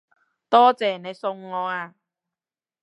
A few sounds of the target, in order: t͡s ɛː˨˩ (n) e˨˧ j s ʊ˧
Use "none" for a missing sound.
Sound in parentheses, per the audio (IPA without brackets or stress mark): n